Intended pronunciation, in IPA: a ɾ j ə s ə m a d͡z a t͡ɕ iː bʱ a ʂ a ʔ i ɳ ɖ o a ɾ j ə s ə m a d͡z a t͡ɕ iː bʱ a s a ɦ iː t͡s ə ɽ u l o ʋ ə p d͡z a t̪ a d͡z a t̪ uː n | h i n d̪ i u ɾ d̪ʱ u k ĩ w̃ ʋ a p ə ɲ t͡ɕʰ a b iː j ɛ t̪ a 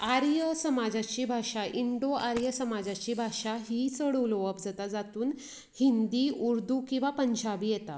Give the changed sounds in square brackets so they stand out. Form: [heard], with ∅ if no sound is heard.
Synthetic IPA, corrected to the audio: a ɾ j ə s ə m a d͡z a t͡ɕ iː bʱ a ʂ a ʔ i ɳ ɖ o a ɾ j ə s ə m a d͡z a t͡ɕ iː bʱ a [ʂ] a ɦ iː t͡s ə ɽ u l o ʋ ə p d͡z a t̪ a d͡z a t̪ uː n | h i n d̪ i u ɾ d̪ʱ u k ĩ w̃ ʋ a p ə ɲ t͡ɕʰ a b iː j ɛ t̪ a